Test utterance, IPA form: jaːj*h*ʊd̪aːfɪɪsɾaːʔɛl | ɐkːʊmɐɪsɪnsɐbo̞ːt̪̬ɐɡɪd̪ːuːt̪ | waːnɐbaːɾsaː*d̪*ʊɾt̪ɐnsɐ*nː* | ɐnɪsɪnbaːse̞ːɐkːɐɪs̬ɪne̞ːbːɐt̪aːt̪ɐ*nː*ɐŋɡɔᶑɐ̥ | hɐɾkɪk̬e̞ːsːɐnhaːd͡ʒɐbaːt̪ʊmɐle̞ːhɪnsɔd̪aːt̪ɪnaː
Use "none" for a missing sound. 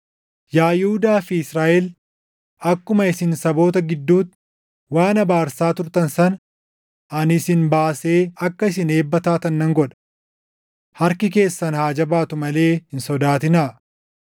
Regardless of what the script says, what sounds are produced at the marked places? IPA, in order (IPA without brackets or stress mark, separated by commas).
h, t̪, n, nː